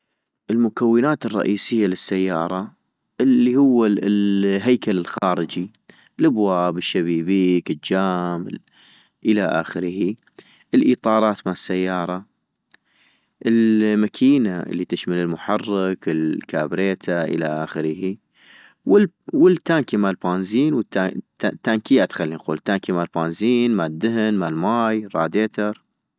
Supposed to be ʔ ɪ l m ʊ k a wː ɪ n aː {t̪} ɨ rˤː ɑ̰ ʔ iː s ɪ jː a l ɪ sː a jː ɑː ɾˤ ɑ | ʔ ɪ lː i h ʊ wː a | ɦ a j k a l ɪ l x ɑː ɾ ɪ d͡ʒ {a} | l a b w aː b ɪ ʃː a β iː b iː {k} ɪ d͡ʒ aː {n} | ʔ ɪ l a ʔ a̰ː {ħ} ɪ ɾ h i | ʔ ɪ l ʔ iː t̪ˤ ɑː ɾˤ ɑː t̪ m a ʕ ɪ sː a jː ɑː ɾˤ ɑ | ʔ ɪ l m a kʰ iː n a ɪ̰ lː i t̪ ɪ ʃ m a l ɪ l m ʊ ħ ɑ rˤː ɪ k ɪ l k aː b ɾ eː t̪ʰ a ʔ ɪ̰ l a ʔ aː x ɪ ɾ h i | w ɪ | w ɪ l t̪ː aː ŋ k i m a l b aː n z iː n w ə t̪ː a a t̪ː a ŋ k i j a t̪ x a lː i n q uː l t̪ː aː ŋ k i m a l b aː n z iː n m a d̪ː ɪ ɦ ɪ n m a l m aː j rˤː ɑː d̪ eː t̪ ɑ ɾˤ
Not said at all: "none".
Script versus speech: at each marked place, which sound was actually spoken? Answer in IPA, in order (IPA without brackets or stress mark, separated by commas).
t̪, i, k, m, x